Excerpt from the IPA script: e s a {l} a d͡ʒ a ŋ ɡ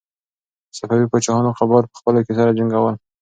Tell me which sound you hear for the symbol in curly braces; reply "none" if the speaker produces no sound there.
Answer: ɾ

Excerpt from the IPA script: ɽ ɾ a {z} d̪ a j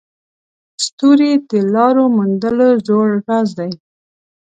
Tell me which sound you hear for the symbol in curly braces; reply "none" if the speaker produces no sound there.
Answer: z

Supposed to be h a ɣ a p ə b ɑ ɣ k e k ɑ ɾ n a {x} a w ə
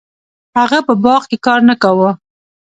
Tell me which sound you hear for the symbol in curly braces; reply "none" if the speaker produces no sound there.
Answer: k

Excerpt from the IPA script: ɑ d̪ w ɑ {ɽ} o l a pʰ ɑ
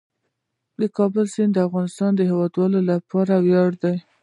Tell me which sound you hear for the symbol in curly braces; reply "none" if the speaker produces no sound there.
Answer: l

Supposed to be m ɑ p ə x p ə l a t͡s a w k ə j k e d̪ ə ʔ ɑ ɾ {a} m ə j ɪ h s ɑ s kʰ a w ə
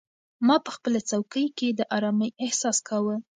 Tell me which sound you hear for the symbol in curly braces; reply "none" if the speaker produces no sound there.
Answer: ɑ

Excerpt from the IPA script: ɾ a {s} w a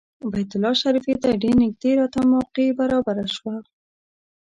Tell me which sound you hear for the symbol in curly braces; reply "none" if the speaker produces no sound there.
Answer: ʃ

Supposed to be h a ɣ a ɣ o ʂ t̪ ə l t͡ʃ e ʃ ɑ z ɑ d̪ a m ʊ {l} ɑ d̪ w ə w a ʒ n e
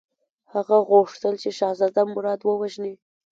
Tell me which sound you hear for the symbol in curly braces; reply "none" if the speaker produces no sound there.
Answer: ɾ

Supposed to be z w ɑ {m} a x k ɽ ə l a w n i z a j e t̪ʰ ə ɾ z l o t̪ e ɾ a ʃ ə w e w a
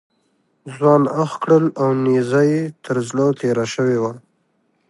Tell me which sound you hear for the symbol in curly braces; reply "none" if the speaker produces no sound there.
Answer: n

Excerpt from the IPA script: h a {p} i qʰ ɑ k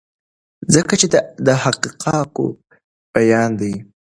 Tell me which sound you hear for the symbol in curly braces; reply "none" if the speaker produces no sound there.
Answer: q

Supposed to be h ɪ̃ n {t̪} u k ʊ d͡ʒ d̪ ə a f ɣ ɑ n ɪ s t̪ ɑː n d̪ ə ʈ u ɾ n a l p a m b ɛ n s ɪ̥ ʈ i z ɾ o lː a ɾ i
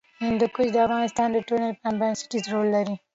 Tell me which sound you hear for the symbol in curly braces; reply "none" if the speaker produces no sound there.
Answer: d̪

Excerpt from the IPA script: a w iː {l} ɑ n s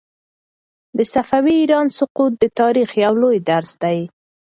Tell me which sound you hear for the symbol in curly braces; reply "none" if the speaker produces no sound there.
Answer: ɾ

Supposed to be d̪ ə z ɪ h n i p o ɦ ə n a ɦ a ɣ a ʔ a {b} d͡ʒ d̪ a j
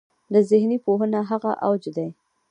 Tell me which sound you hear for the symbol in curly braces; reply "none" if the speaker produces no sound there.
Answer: w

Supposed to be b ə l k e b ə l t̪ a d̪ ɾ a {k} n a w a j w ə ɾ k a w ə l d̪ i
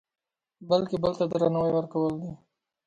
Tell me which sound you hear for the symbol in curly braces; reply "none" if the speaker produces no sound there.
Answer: none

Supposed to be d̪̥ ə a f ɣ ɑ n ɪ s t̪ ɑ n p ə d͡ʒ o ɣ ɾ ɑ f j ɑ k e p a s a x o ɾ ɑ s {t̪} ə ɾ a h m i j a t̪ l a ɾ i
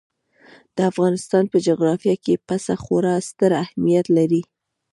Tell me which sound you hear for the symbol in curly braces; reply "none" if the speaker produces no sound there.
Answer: t̪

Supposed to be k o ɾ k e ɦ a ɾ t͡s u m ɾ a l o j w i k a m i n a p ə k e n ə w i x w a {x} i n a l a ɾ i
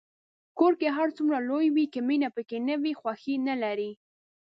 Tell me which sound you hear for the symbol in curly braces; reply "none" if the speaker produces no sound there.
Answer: x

